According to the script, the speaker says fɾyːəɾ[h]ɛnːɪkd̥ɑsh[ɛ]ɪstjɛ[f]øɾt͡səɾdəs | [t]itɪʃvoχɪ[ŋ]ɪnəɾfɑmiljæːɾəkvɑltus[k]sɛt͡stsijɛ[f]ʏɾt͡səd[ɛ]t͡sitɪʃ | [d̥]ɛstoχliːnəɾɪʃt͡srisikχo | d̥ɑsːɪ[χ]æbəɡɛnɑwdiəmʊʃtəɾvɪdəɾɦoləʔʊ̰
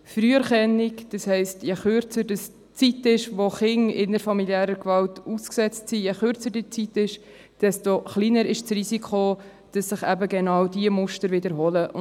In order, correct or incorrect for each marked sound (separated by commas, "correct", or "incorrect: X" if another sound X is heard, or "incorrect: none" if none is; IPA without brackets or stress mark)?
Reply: incorrect: χ, correct, incorrect: χ, incorrect: t͡s, correct, correct, incorrect: χ, incorrect: i, correct, correct